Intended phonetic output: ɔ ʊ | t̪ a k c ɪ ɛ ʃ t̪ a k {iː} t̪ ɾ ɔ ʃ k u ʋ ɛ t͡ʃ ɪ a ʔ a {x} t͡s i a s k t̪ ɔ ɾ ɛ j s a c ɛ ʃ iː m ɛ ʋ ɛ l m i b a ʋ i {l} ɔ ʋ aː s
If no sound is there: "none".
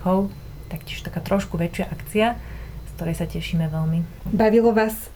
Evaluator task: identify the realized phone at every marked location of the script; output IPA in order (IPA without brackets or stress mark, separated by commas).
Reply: aː, k, l